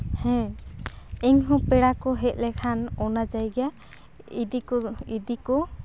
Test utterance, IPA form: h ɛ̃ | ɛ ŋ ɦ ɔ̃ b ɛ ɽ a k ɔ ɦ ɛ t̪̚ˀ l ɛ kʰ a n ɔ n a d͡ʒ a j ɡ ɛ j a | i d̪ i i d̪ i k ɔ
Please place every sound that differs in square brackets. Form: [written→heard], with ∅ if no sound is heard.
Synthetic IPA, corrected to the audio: h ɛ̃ | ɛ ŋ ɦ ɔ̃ [b→p] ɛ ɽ a k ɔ ɦ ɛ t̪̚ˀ l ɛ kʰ a n ɔ n a d͡ʒ a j ɡ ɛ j a | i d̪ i i d̪ i k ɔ